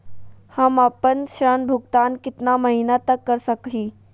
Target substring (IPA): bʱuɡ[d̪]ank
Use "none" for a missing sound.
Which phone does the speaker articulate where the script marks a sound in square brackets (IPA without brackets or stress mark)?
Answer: t̪